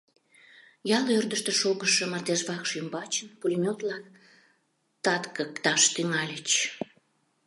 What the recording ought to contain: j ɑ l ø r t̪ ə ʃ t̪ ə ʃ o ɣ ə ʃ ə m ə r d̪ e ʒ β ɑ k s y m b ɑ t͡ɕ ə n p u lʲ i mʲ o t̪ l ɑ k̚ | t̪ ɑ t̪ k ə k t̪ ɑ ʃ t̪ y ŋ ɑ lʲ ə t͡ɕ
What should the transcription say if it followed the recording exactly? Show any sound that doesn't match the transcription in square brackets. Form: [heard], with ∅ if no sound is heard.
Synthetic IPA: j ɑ l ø r [d̪] ə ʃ t̪ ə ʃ o ɣ ə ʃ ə m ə r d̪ e ʒ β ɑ k [ʃ] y m b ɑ t͡ɕ ə n p u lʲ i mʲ o t̪ l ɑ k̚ | t̪ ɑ t̪ k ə k t̪ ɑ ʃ t̪ y ŋ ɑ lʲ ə t͡ɕ